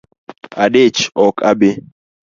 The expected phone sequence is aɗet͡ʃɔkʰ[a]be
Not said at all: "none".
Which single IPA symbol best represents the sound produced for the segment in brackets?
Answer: a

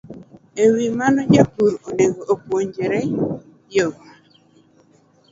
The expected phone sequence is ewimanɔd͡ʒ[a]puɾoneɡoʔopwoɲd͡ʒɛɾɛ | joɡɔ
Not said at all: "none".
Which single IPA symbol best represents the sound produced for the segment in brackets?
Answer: a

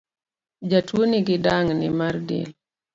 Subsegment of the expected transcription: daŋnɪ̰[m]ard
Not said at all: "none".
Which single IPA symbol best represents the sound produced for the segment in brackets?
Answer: m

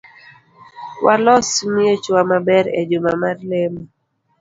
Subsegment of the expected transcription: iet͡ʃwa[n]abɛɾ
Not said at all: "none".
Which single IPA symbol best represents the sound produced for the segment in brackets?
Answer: m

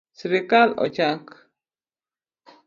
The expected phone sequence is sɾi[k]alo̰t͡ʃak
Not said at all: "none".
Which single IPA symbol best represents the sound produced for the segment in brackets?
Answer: k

